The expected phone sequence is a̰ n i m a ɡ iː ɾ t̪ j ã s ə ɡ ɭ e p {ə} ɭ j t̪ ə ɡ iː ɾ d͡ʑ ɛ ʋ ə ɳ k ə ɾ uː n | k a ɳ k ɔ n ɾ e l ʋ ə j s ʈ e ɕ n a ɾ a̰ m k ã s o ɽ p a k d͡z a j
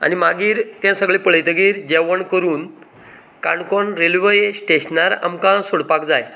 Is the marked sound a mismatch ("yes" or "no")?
no